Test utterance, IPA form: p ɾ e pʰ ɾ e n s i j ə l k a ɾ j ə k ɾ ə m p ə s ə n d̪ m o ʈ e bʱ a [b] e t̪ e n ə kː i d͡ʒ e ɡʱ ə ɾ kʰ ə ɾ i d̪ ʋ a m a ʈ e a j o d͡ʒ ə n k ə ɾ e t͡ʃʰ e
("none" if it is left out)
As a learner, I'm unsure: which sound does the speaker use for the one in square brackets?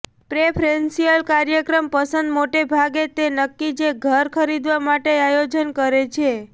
ɡ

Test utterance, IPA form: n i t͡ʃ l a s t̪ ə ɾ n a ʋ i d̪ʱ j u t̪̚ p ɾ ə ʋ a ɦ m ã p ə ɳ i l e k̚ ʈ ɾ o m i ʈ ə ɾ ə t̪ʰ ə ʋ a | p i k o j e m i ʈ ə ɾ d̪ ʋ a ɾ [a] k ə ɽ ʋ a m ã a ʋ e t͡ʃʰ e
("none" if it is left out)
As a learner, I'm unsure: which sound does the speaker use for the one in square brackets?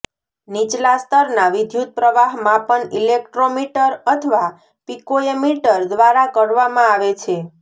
a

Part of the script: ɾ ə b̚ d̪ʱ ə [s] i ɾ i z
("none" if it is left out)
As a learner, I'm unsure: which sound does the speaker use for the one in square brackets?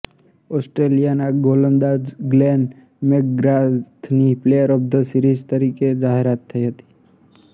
s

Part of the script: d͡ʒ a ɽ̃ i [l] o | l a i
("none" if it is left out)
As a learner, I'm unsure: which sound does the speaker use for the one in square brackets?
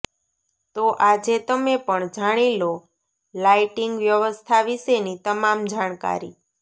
l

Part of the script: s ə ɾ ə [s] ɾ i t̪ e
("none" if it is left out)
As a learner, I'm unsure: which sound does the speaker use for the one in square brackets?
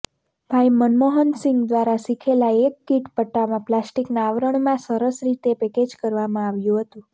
s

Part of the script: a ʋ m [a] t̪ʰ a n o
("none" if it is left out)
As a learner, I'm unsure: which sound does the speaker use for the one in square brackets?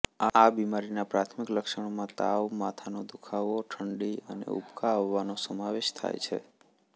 a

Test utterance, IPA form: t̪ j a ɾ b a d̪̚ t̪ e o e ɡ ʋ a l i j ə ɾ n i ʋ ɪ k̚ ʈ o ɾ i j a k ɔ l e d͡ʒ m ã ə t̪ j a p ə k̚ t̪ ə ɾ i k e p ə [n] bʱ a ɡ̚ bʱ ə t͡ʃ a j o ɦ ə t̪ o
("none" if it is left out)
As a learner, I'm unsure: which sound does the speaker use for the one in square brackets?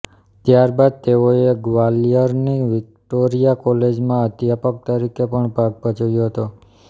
ɳ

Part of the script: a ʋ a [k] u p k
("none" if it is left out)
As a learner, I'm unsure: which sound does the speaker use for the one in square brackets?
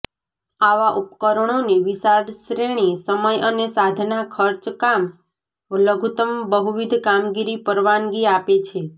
ʔ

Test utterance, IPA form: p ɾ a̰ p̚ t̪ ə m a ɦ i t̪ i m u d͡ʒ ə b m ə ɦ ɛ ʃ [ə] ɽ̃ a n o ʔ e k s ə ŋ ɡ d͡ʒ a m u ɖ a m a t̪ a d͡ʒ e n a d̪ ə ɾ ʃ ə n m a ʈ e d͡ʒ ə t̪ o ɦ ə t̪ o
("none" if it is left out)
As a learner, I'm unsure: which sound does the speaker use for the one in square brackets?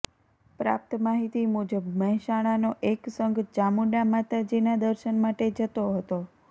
a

